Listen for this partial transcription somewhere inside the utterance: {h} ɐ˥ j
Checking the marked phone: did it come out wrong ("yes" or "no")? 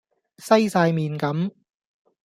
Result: yes